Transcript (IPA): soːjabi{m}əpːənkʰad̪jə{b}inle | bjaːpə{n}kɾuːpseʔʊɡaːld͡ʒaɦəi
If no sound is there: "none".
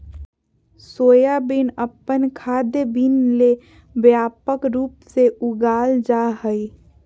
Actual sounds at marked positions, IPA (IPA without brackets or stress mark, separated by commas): n, b, none